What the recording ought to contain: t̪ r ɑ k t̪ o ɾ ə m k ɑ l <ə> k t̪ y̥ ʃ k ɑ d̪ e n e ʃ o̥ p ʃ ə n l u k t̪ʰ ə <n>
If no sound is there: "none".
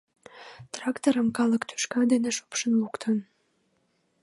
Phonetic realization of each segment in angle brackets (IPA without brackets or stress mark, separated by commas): ə, n